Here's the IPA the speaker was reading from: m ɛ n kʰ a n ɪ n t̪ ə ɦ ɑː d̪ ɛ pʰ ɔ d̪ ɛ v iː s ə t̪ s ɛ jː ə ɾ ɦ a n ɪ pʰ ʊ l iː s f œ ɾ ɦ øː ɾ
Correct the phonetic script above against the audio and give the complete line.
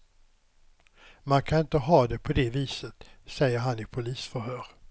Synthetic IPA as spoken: m a n kʰ a n ɪ n t̪ ə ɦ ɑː d̪ ɛ pʰ ɔ d̪ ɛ v iː s ə t̪ s ɛ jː ə ɾ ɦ a n ɪ pʰ ʊ l iː s f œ ɾ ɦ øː ɾ